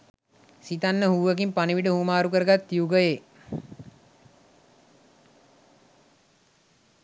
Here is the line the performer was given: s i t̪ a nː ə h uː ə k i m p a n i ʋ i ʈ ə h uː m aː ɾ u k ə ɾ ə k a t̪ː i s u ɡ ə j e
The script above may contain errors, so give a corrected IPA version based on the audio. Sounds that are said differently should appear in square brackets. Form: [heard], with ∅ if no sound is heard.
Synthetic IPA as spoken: s i t̪ a nː ə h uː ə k i m p a n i ʋ i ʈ ə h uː m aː ɾ u k ə ɾ ə [ɡ] a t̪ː i [∅] u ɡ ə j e

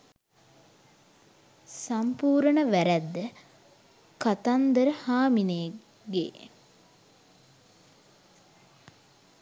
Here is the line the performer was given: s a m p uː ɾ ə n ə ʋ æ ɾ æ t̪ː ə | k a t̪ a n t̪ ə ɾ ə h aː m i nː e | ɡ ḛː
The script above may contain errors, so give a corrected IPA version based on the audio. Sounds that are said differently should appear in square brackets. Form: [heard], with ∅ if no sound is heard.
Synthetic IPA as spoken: s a m p uː ɾ ə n ə ʋ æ ɾ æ [d̪ː] ə | k a t̪ a n [d̪] ə ɾ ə h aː m i [n] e | ɡ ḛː

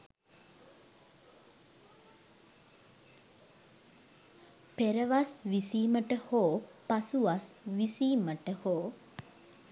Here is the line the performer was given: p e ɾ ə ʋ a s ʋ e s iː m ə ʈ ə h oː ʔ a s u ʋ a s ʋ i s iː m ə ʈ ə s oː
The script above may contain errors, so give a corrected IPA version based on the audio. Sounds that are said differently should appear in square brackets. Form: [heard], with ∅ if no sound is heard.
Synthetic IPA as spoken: p e ɾ ə ʋ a s ʋ [i] s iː m ə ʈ ə h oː [p] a s u ʋ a s ʋ i s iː m ə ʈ ə [h] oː

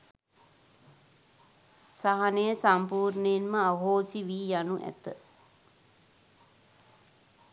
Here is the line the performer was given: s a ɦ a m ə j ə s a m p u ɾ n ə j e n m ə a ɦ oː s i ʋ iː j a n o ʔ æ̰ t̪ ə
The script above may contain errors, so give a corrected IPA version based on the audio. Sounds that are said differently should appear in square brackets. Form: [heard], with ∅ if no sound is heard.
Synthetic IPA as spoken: s a ɦ a [n] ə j ə s a m p [uː] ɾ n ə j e n m ə a ɦ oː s i ʋ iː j a n [u] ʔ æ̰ t̪ ə

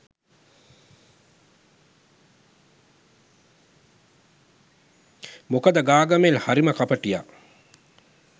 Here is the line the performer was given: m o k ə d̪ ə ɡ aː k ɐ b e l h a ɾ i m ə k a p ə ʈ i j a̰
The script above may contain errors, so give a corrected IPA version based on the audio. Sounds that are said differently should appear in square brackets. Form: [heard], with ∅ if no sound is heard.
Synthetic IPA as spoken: m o k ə d̪ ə ɡ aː [ɡ] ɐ [m] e l h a ɾ i m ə k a p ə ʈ i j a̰

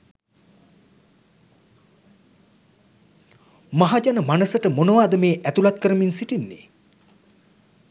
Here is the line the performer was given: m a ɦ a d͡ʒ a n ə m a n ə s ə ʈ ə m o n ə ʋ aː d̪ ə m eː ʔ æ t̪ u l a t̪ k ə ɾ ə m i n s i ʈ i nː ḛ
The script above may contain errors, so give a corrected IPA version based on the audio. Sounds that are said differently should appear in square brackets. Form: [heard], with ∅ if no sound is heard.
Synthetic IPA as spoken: m a ɦ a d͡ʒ a n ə m a n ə s ə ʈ ə m o n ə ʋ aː d̪ ə m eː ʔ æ t̪ u l a t̪ k ə ɾ ə m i n s i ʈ i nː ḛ

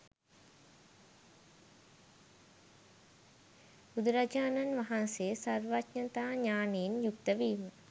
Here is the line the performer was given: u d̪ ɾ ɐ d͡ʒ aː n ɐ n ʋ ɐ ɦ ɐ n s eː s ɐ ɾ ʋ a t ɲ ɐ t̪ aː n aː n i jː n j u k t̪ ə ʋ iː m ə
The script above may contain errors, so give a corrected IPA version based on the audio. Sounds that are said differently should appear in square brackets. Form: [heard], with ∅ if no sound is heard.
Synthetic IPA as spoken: u d̪ ɾ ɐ d͡ʒ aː n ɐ n ʋ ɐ ɦ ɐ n s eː s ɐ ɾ ʋ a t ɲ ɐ t̪ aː [ɲ] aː n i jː n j u k t̪ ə ʋ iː m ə

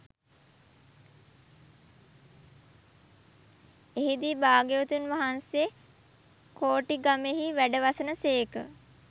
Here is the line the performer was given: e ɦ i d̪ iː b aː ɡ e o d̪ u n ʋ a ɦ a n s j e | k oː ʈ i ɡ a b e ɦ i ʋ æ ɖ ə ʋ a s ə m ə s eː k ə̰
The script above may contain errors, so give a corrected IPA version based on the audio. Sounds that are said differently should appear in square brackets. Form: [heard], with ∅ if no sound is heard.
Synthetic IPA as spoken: e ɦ i d̪ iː b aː ɡ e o [t̪] u n ʋ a ɦ a n s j e | k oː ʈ i ɡ a [m] e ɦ i ʋ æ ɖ ə ʋ a s ə [n] ə s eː k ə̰

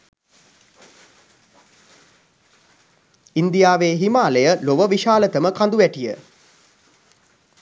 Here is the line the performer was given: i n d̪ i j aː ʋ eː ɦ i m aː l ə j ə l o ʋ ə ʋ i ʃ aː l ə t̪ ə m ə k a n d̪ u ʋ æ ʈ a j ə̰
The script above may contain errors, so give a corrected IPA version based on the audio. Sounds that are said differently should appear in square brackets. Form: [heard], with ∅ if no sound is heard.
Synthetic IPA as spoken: i n d̪ i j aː ʋ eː ɦ i m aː l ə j ə l o ʋ ə ʋ i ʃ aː l ə t̪ ə m ə k a n d̪ u ʋ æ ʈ [i] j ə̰

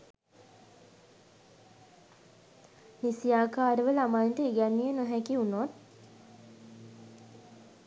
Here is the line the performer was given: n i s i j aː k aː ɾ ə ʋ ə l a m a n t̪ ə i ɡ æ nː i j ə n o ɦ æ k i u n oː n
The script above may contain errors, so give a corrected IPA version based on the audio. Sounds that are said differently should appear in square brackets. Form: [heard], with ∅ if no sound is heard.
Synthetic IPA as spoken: n i s i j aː k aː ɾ ə ʋ ə l a m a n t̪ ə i ɡ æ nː i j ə n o ɦ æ k i u n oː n

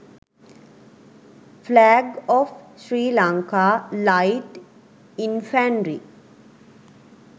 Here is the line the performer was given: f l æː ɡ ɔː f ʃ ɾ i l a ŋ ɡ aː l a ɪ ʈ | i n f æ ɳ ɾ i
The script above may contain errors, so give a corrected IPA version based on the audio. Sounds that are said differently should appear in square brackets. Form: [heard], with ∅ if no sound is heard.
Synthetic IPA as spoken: f l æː ɡ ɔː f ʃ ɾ [iː] l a ŋ [k] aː l a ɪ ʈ | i n f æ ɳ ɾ i

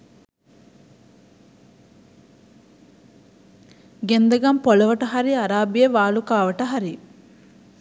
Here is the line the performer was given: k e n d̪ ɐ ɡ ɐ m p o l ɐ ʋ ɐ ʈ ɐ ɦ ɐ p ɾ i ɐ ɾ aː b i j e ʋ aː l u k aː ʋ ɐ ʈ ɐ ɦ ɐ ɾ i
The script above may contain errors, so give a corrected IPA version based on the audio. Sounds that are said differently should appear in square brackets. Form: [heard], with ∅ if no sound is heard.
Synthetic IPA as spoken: [ɡ] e n d̪ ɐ ɡ ɐ m p o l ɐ ʋ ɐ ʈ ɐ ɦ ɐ [∅] ɾ i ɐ ɾ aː b i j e ʋ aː l u k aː ʋ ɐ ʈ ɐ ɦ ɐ ɾ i

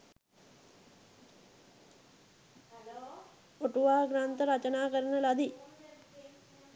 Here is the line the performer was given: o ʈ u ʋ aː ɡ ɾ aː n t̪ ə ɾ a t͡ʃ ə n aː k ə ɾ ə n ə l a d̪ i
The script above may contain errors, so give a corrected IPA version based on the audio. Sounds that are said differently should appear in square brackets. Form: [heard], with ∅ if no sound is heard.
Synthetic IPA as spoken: o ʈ u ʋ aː ɡ ɾ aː n t̪ ə ɾ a t͡ʃ ə n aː k ə ɾ ə n ə l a d̪ i

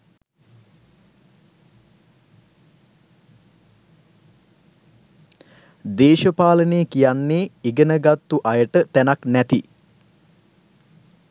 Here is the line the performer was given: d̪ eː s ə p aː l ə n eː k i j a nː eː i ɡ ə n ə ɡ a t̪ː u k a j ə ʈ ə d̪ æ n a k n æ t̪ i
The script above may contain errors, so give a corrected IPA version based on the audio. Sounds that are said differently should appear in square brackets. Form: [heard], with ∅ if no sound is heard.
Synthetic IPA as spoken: d̪ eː [ʃ] ə p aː l ə n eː k i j a nː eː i ɡ ə n ə ɡ a t̪ː u [ʔ] a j ə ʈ ə [t̪] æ n a k n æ t̪ i

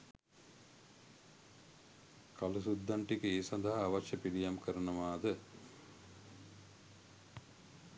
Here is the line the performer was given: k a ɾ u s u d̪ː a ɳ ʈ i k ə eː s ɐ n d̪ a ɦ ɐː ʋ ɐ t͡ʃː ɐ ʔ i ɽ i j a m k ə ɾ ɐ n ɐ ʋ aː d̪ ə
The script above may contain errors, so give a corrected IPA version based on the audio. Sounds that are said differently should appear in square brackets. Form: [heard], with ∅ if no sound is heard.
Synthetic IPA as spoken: k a [l] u s u d̪ː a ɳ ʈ i k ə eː s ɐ n d̪ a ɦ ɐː ʋ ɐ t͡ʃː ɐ [p] i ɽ i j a m k ə ɾ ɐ n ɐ ʋ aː d̪ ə

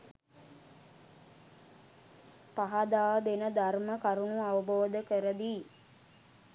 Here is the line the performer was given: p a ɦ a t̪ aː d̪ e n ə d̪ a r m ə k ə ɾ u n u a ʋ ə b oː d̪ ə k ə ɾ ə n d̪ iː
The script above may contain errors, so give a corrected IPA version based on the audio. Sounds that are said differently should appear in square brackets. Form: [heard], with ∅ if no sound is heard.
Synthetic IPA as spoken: p a ɦ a [d̪] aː d̪ e n ə d̪ a r m ə k [a] ɾ u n u a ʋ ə b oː d̪ ə k ə ɾ ə [∅] d̪ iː

